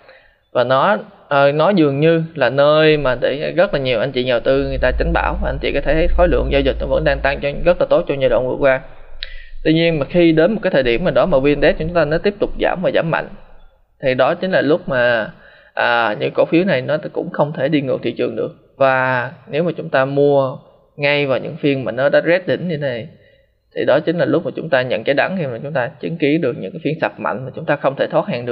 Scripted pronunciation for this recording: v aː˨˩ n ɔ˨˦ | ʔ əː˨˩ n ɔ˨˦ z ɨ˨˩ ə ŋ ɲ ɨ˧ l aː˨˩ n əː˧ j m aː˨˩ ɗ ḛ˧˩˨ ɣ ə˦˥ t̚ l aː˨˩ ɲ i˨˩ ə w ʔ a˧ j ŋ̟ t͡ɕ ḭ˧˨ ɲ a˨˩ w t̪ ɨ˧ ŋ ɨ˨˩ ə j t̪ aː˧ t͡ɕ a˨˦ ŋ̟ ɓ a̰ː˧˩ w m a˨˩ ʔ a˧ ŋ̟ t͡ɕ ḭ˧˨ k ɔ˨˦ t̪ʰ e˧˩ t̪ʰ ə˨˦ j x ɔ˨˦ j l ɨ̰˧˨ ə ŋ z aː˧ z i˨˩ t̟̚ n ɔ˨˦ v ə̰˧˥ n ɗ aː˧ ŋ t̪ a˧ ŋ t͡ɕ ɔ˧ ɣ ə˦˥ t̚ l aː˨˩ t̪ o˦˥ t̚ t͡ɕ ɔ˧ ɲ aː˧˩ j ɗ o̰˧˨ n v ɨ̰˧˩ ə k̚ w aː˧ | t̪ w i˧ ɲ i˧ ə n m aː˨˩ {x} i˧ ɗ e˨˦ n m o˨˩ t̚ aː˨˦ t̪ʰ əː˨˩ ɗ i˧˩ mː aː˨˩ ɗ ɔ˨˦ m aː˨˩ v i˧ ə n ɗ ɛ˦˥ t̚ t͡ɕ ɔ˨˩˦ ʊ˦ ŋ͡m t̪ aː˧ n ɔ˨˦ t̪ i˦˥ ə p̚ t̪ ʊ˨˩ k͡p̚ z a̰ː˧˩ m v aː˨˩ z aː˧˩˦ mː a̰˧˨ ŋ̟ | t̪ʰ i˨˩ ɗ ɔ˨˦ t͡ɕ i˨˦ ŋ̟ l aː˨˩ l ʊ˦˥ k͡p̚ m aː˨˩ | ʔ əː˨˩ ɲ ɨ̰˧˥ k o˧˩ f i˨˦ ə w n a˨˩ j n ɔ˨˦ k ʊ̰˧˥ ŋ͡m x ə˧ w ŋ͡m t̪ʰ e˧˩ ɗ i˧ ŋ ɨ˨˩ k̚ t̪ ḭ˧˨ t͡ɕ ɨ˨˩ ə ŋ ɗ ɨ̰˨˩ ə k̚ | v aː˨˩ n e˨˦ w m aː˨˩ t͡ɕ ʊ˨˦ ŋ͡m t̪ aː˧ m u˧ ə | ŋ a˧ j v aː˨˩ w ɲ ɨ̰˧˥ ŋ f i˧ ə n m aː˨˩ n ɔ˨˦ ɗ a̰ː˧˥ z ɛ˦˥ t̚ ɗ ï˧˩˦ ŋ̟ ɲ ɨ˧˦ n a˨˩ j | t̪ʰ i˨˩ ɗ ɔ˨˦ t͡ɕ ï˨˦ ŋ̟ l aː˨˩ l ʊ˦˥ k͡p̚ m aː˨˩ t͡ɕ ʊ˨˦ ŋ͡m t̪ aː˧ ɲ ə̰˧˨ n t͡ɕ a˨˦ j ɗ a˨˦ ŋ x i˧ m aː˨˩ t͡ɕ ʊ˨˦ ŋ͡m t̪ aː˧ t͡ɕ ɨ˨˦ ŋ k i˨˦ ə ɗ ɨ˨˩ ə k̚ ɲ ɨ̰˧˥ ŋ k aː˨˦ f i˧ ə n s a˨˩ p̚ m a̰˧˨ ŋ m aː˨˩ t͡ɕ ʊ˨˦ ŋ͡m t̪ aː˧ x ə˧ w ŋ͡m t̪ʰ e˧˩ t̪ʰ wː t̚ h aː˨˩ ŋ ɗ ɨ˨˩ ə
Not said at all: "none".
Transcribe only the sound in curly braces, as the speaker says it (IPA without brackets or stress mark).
x